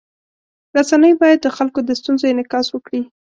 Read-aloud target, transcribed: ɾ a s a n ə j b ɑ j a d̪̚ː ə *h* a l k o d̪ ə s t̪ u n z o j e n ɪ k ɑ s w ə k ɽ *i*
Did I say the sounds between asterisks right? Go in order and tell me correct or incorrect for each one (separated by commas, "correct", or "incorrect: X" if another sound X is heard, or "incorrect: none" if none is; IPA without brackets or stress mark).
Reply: incorrect: x, correct